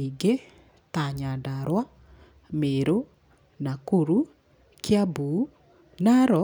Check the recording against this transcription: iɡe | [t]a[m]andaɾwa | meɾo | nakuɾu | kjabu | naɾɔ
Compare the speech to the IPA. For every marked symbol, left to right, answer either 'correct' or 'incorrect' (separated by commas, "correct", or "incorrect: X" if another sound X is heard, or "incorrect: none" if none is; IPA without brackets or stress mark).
correct, incorrect: ɲ